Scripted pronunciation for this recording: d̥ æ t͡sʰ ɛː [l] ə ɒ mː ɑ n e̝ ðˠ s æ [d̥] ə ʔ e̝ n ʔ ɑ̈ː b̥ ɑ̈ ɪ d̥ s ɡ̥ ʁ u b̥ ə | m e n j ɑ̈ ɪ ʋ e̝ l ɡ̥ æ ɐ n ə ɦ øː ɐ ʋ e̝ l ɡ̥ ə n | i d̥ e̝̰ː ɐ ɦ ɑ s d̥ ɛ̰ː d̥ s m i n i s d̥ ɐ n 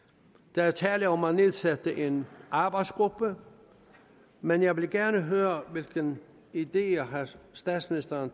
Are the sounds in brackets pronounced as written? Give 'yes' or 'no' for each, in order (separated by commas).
yes, yes